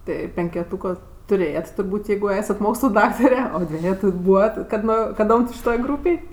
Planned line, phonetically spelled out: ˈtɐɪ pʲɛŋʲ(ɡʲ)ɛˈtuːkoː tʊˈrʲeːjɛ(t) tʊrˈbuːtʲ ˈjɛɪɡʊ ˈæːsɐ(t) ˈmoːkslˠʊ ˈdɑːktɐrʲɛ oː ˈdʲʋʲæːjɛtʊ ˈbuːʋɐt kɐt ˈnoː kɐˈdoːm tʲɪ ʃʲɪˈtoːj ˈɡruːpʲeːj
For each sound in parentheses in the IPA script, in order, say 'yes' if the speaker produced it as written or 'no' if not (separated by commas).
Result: no, yes, yes